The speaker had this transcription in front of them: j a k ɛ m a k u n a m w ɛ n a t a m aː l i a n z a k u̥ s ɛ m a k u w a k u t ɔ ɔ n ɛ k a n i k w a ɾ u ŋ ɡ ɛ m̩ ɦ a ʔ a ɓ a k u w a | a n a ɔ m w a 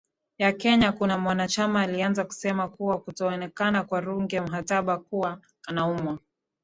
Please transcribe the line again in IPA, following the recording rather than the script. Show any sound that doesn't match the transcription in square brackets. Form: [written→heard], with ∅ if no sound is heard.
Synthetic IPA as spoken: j a k ɛ [m→ɲ] a k u n a m w [ɛ→a] n a [t→t͡ʃ] a m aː l i a n z a k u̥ s ɛ m a k u w a k u t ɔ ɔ n ɛ k a n [i→a] k w a ɾ u ŋ ɡ ɛ m̩ ɦ a [ʔ→t] a ɓ a k u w a | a n a [ɔ→u] m w a